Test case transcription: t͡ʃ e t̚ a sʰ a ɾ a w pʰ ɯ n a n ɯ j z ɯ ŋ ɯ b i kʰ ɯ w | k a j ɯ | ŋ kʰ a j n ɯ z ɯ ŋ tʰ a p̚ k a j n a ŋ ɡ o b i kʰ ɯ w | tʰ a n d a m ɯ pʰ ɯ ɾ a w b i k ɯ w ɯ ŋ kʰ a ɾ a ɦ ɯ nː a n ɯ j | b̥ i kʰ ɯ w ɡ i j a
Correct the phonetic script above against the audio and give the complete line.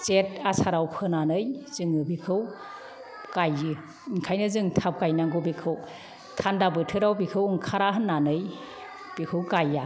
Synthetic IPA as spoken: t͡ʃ e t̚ a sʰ a ɾ a w pʰ ɯ n a n ɯ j z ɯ ŋ ɯ b i kʰ ɯ w | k a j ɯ | ŋ kʰ a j n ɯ z ɯ ŋ tʰ a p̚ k a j n a ŋ ɡ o b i kʰ ɯ w | tʰ a n d a b ɯ tʰ ɯ ɾ a w b i kʰ ɯ w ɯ ŋ kʰ a ɾ a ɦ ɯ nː a n ɯ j | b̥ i kʰ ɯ w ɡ a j a

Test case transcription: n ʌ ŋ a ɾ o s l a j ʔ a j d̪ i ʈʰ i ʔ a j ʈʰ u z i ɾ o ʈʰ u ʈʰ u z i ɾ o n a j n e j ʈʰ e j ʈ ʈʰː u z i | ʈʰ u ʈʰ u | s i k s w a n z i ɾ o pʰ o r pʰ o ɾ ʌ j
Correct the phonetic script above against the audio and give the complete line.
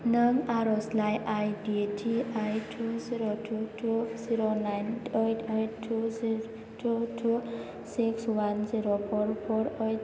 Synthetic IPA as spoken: n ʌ ŋ a ɾ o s l a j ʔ a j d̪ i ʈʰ i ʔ a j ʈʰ u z i ɾ o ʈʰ u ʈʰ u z i ɾ o n a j n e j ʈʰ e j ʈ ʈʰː u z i | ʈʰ u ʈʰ u | s i k s w a n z i ɾ o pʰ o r pʰ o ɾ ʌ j

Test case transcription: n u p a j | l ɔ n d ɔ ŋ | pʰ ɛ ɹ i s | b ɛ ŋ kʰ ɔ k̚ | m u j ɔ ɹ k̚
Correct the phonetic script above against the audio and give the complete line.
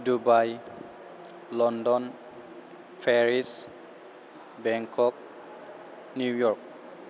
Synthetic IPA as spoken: d u b a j | l ɔ n d ɔ n | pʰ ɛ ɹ i s | b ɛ ŋ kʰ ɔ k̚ | n u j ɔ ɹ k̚

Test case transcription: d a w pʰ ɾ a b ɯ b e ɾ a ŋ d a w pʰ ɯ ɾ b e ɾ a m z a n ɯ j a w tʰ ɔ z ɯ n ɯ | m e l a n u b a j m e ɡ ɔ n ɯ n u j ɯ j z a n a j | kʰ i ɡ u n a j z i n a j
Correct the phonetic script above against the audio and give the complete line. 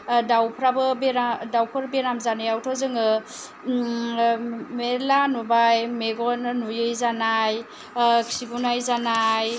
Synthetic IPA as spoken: d a w pʰ ɾ a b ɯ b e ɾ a d a w pʰ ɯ ɾ b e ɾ a m z a n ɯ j a w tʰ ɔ z ɯ ŋ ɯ | m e l a n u b a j m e ɡ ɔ n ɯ n u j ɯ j z a n a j | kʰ i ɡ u n a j z a n a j

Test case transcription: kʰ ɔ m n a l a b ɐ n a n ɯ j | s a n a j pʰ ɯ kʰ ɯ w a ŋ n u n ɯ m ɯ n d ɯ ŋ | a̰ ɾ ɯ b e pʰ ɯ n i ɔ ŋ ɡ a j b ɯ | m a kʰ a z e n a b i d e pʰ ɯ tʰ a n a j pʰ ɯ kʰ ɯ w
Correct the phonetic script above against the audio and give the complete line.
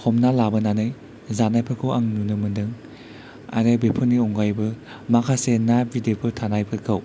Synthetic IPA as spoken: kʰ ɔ m n a l a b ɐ n a n ɯ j | z a n a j pʰ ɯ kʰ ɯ w a ŋ n u n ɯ m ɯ n d ɯ ŋ | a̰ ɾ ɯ b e pʰ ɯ n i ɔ ŋ ɡ a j b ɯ | m a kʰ a s e n a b i d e pʰ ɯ tʰ a n a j pʰ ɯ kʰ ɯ w

